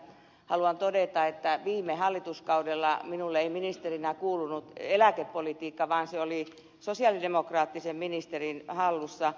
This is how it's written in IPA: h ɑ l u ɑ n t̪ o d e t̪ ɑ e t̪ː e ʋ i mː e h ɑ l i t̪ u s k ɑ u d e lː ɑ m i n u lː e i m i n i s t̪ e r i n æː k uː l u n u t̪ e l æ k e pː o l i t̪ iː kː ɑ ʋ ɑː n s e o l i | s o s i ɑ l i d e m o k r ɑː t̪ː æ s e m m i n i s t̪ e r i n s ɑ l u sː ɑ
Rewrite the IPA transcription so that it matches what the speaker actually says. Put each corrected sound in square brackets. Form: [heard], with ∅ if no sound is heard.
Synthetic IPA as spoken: h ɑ l u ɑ n t̪ o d e t̪ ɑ e t̪ː [æ] ʋ [iː] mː e h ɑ [lː] i t̪ u s k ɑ u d e lː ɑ m i n u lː e i m i n i s t̪ e r i n [æ] k uː l u n u t̪ e l æ k e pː o l i t̪ iː kː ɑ ʋ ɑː n s e o l i | s o s i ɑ l i d e m o k r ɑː t̪ː [i] s e m m i n i s t̪ e r i n [h] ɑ [lː] u sː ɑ